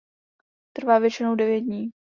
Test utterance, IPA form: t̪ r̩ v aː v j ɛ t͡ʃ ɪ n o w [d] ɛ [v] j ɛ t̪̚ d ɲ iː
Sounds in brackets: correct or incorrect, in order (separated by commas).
correct, correct